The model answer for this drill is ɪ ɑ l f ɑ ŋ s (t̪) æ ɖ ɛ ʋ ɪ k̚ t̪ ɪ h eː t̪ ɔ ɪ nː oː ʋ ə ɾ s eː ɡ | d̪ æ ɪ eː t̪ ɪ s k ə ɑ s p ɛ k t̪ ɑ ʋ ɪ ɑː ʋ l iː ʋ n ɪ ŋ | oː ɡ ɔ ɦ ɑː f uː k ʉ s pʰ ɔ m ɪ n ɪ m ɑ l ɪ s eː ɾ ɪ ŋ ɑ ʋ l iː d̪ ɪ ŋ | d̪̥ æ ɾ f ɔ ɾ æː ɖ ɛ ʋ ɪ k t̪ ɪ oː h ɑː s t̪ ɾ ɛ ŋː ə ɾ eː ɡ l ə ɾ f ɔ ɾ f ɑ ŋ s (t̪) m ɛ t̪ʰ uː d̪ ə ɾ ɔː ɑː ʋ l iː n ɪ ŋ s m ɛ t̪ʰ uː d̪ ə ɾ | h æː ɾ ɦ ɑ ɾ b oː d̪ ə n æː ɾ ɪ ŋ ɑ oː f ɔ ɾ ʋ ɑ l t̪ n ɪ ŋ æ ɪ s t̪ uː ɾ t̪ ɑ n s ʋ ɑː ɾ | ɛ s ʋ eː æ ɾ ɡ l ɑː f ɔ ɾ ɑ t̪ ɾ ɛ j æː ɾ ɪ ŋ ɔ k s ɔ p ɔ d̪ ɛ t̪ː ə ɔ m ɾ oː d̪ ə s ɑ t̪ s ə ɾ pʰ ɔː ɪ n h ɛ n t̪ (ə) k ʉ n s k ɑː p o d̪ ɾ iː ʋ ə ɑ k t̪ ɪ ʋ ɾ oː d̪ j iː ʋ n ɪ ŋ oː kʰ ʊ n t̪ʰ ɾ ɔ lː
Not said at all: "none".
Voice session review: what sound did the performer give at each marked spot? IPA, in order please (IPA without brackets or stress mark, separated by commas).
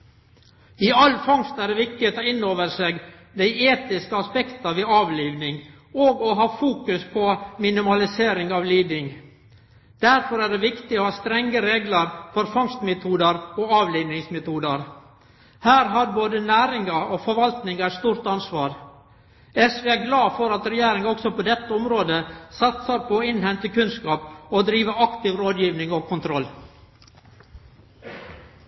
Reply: t̪, t̪, ə